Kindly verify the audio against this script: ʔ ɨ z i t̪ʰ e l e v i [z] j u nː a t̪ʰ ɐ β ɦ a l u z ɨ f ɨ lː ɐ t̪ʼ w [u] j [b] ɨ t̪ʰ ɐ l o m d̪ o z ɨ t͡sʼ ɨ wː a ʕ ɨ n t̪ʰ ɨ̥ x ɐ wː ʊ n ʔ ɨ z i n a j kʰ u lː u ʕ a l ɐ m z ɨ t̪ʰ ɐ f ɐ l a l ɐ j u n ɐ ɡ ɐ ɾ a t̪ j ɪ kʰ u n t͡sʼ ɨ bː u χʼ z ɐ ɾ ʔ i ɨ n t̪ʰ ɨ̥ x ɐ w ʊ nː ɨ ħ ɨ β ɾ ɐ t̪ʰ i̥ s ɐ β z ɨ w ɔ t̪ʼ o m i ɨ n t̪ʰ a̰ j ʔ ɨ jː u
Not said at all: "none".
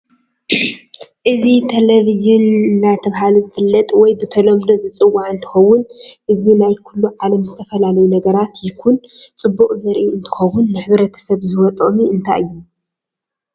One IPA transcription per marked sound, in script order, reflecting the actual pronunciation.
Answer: z, ɔ, b

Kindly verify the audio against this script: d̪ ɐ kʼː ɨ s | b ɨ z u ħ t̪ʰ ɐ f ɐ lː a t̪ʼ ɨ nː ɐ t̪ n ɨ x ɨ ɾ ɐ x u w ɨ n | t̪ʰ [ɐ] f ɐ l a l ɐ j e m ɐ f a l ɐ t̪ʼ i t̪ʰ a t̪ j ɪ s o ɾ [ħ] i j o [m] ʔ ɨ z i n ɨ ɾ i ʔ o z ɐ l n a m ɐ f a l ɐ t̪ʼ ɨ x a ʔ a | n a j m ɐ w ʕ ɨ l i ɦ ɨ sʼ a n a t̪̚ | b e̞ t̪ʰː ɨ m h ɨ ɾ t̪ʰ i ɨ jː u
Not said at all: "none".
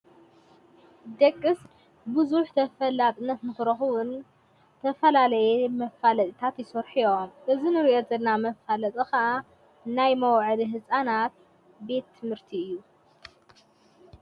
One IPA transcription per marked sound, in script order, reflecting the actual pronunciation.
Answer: ɐ, ħ, m

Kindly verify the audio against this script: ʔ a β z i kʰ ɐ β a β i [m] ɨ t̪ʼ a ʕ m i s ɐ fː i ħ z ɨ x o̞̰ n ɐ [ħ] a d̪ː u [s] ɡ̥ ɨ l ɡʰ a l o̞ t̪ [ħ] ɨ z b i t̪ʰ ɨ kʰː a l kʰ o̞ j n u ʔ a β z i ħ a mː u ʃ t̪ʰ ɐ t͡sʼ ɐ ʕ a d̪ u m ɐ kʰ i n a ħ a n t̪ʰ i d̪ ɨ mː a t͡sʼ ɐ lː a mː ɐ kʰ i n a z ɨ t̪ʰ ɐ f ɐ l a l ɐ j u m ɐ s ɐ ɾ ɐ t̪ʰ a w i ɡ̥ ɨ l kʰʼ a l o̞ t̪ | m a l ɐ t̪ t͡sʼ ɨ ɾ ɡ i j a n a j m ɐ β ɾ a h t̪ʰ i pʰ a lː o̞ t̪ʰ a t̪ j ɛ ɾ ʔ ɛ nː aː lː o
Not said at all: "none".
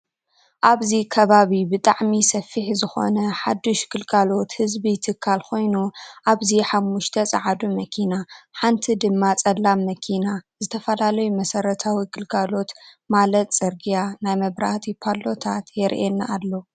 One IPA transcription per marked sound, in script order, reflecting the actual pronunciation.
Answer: b, ħ, ʃ, h

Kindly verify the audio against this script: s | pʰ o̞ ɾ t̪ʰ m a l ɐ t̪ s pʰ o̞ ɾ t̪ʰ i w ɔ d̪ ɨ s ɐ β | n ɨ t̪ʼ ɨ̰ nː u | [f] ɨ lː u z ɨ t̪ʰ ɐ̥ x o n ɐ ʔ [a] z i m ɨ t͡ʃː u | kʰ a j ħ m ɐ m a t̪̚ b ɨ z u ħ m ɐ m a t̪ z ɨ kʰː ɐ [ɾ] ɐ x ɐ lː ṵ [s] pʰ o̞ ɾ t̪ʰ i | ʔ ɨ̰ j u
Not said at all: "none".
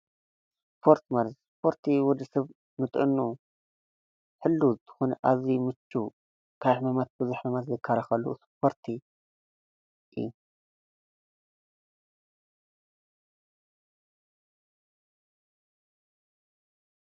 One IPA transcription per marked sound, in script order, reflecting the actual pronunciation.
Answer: ħ, a, ɾ, s

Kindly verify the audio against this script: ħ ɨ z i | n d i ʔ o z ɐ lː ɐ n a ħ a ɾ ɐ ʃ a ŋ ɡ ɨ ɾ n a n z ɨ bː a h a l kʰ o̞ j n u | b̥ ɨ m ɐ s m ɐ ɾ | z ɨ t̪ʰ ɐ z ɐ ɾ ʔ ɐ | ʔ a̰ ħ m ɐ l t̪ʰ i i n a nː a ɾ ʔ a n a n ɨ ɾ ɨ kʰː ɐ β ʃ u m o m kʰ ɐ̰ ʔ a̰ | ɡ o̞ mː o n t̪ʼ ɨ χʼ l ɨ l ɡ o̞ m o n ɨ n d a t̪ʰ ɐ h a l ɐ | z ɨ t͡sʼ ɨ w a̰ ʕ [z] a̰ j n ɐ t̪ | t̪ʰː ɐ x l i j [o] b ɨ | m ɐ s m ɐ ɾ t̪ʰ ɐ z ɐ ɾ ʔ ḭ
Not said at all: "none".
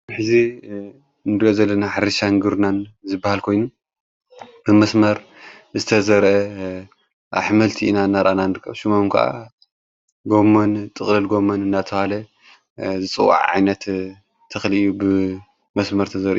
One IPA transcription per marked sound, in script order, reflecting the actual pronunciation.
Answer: ʕ, u

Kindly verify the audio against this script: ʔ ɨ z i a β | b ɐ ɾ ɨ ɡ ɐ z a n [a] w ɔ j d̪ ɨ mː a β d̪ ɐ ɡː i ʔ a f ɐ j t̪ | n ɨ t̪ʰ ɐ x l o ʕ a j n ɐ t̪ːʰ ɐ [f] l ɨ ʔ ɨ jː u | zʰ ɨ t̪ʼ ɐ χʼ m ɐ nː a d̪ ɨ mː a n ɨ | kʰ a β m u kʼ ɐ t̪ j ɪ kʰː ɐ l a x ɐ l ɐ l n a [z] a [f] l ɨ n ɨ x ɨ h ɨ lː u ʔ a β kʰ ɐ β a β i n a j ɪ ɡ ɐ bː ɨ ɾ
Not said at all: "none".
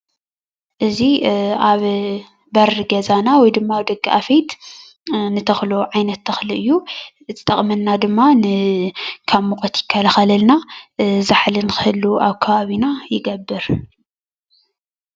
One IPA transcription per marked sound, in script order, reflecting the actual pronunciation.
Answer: a, x, z, ħ

